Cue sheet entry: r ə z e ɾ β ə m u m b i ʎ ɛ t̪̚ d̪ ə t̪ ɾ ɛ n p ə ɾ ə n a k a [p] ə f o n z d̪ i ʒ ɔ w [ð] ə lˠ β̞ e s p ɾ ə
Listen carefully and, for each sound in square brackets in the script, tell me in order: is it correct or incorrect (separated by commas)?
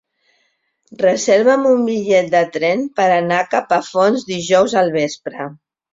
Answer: correct, incorrect